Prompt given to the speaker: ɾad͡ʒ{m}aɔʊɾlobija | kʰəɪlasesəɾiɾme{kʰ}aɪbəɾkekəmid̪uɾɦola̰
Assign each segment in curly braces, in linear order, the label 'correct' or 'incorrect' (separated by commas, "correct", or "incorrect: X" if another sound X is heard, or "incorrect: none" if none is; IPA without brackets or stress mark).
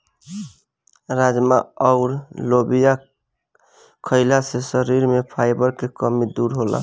correct, incorrect: pʰ